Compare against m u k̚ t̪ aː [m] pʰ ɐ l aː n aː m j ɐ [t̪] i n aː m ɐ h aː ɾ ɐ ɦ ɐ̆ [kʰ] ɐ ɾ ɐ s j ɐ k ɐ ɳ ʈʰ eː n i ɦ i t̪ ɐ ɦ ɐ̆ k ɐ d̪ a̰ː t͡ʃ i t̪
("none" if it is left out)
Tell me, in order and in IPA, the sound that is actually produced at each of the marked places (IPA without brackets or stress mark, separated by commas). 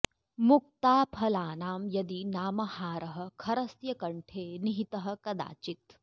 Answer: none, d̪, kʰ